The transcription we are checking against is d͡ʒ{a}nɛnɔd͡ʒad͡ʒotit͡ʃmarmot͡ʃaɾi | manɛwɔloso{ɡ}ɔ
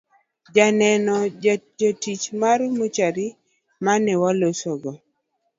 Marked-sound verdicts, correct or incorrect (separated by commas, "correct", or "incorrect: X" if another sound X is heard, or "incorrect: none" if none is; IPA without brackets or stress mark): correct, correct